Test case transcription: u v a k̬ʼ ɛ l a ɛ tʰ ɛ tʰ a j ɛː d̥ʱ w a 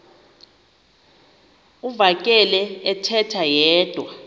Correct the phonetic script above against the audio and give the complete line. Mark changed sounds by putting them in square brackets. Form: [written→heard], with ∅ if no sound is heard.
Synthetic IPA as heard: u v a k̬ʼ ɛ l [a→ɛ] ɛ tʰ ɛ tʰ a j ɛː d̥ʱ w a